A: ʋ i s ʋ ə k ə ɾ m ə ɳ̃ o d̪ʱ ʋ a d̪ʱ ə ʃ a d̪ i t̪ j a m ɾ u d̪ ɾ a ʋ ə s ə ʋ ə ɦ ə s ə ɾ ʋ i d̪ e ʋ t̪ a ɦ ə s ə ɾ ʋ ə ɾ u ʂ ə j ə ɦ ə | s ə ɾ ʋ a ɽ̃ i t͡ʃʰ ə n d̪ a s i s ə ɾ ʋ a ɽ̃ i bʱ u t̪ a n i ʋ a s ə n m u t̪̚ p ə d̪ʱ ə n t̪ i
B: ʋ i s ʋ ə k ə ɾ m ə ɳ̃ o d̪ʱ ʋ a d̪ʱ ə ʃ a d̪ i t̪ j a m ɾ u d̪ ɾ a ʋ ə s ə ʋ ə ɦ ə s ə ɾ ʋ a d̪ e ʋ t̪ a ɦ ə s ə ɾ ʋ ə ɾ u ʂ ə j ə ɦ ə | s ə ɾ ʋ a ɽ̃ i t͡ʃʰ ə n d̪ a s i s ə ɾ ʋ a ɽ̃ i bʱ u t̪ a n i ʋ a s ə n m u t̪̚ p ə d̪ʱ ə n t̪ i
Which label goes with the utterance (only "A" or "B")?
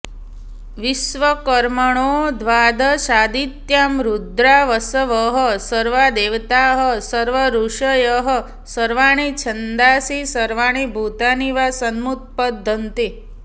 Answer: B